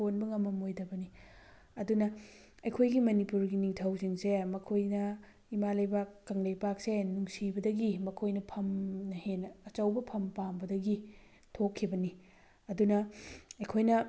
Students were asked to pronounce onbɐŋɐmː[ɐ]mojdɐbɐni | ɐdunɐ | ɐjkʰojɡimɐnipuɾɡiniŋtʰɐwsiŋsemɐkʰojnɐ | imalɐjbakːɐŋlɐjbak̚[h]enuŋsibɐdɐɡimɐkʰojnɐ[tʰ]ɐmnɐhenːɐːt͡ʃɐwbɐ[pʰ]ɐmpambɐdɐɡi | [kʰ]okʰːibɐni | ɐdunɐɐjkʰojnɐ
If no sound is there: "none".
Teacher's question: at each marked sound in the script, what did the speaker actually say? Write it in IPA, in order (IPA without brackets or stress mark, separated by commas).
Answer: ɐ, s, pʰ, pʰ, tʰ